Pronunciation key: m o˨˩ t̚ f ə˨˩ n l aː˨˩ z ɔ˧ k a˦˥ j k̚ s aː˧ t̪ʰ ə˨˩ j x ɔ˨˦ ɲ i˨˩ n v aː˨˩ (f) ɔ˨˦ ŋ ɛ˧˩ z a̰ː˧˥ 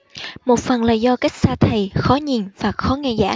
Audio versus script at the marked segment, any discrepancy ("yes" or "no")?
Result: yes